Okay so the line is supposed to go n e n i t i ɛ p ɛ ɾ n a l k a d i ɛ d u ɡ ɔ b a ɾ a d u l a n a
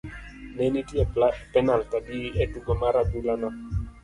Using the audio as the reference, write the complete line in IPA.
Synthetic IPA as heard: n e n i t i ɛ p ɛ n a l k a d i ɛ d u ɡ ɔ m a ɾ a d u l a n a